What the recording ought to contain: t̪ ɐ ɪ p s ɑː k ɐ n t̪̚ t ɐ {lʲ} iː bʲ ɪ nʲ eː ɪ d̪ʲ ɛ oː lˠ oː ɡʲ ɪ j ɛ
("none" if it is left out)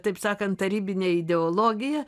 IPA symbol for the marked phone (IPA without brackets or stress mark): ɾʲ